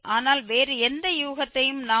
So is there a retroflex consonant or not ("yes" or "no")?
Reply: no